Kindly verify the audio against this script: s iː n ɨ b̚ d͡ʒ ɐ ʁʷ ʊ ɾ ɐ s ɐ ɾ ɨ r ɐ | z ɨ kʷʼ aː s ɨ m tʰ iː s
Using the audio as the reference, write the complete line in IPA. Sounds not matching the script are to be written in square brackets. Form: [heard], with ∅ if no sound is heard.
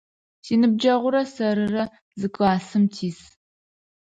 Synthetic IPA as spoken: s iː n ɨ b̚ d͡ʒ ɐ ʁʷ ʊ ɾ ɐ s ɐ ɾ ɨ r ɐ | z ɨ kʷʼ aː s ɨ m tʰ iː s